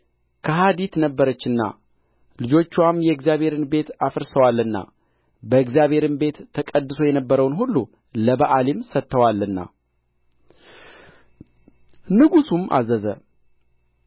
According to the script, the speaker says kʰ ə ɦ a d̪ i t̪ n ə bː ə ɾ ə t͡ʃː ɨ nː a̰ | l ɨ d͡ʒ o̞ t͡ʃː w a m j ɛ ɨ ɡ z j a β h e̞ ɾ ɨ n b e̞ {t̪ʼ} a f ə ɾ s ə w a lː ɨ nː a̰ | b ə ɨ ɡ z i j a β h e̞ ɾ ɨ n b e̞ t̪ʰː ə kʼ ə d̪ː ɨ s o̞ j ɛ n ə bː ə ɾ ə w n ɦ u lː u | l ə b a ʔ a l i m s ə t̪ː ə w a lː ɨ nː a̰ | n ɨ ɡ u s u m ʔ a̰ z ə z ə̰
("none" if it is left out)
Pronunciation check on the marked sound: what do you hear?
t̪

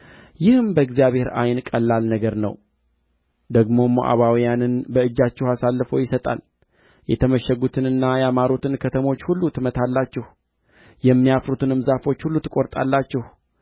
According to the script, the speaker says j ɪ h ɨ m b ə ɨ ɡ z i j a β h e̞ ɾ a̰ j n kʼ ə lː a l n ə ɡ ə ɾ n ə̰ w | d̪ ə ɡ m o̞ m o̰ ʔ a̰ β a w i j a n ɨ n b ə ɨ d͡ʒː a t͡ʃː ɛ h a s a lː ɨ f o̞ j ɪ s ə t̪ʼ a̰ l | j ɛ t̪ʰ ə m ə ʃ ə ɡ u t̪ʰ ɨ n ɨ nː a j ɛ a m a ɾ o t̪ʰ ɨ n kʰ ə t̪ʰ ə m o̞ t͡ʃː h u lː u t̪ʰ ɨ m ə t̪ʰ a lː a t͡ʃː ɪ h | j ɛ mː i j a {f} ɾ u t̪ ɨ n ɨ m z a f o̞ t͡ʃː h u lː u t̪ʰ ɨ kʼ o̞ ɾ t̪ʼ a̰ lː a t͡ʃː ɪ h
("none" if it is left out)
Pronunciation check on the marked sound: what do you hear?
f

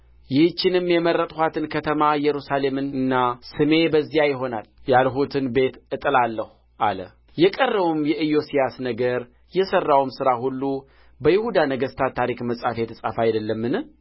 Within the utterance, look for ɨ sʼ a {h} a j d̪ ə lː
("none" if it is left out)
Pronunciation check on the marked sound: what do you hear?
f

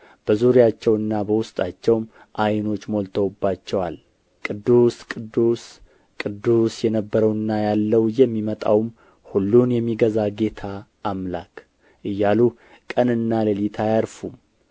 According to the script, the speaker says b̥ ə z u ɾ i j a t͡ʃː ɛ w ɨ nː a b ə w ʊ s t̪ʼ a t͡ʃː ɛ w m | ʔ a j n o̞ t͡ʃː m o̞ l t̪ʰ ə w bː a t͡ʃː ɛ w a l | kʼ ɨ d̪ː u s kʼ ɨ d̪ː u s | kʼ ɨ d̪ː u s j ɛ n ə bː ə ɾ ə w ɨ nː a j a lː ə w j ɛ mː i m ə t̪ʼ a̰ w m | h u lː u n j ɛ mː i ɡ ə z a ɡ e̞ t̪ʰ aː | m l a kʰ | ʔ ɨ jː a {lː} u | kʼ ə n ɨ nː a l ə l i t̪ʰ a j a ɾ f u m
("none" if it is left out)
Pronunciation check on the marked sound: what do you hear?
l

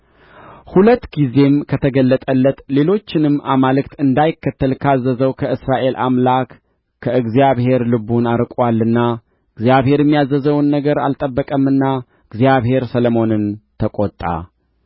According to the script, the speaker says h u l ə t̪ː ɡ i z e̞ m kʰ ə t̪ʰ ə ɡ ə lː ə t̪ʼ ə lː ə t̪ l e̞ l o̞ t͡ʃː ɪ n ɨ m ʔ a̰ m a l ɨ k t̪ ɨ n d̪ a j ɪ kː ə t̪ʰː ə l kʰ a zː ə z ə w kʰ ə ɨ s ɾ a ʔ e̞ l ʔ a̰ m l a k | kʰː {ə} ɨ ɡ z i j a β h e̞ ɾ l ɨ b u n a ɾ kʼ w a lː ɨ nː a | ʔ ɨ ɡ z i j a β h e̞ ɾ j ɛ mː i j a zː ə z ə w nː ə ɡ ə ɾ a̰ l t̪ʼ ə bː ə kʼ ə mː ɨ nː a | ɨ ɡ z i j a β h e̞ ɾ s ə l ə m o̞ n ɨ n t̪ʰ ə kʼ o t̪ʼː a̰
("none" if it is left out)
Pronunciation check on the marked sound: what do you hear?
ə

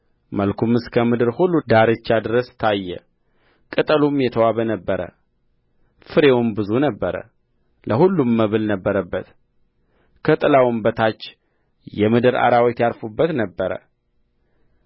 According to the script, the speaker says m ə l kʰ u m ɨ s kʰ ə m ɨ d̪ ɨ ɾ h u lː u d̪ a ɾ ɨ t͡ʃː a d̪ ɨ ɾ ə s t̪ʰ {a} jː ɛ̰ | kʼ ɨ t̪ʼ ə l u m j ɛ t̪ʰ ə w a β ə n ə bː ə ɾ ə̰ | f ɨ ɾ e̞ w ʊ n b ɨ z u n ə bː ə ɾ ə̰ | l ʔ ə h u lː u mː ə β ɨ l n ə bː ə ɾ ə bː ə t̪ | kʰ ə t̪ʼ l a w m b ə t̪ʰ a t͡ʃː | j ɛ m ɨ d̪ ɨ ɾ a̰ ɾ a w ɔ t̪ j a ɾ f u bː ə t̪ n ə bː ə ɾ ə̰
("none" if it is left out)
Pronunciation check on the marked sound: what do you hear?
a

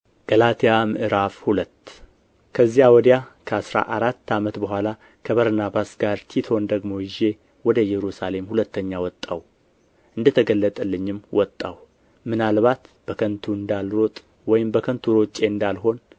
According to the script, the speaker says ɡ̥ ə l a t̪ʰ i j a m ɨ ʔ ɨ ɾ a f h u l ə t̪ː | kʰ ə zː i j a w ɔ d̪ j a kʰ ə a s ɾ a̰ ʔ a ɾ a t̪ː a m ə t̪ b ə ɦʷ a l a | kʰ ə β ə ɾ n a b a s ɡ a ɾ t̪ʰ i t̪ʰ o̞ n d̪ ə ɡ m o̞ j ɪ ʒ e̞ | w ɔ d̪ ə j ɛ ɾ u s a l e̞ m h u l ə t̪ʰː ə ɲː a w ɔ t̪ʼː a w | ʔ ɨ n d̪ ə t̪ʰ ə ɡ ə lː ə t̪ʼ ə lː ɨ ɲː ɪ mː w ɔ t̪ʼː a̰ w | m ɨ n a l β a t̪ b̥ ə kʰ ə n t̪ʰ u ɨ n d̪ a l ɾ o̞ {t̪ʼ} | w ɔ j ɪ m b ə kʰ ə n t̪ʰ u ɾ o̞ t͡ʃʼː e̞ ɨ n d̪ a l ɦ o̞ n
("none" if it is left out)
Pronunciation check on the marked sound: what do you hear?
t̪ʼ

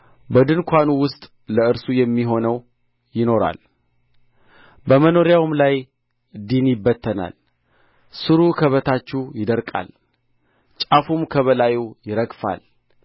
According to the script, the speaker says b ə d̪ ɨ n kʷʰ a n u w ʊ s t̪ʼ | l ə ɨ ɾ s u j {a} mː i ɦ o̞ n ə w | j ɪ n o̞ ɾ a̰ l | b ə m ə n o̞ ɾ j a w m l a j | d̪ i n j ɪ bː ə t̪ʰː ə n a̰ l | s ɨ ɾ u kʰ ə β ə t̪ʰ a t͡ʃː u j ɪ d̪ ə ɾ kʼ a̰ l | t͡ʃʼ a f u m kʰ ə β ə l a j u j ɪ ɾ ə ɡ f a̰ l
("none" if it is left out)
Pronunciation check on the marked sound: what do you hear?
ɛ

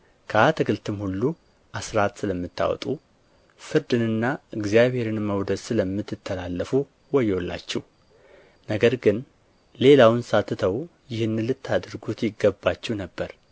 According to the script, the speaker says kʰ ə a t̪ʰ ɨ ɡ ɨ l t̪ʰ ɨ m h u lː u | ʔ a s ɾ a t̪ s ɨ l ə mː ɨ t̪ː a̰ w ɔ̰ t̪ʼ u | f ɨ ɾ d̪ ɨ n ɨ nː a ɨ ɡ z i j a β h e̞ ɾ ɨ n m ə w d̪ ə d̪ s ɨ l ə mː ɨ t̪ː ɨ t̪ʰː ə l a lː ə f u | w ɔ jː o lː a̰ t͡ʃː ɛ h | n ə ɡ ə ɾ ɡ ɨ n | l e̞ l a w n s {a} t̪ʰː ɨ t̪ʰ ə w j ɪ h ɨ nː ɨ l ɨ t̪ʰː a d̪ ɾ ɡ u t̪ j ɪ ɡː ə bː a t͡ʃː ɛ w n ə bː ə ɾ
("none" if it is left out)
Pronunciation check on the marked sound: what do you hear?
a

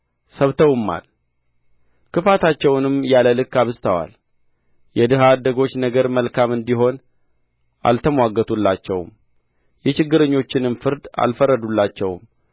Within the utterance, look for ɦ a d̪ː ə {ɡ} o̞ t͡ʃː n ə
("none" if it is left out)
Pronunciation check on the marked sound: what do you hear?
ɡ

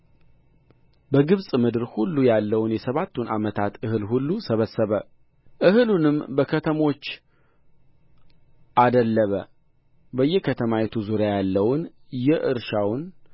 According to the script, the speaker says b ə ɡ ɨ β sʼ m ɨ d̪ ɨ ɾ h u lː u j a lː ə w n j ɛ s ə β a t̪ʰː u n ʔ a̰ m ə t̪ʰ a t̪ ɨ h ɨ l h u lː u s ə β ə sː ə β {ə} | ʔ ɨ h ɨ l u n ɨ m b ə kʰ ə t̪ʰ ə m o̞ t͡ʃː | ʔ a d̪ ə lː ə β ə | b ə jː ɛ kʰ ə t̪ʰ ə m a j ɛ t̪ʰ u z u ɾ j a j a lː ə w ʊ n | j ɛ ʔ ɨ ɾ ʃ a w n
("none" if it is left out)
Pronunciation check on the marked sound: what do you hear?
ə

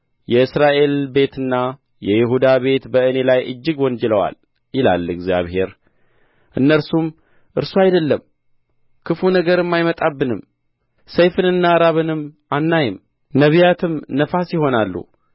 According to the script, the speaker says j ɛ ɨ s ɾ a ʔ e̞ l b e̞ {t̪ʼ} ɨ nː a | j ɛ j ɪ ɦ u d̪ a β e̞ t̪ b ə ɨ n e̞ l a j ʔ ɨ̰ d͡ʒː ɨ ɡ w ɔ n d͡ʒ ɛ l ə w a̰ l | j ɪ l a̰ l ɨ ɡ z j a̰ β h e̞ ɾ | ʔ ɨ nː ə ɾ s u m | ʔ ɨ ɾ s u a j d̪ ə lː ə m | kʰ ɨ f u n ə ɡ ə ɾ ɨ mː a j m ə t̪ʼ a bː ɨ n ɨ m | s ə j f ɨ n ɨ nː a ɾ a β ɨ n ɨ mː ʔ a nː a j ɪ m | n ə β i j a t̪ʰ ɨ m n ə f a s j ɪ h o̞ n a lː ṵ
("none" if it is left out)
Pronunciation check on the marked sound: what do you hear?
t̪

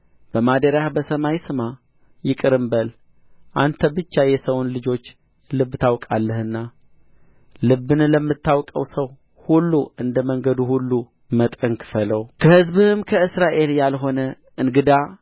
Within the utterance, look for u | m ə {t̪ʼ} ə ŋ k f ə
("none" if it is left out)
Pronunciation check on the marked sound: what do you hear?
t̪ʼ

